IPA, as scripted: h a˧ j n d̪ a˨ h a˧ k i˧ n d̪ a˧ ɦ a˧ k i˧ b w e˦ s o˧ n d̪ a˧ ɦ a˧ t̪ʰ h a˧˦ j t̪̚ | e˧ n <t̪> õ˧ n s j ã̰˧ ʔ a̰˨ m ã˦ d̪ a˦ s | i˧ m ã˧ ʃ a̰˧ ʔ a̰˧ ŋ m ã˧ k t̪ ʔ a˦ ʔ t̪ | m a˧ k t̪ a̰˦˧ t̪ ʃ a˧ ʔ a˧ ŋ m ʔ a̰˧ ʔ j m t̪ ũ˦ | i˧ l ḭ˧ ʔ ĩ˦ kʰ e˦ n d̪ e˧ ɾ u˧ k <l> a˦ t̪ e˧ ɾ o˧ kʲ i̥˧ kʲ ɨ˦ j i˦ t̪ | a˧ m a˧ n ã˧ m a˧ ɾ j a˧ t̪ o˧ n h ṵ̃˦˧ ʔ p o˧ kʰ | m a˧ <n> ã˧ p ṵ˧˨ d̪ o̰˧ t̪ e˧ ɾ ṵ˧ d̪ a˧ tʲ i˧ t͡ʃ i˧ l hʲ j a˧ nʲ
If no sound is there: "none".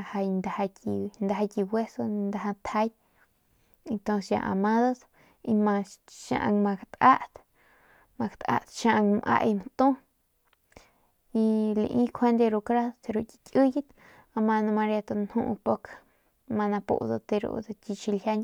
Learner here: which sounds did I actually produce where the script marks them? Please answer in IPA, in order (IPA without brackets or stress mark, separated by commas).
t̪, ɾ, n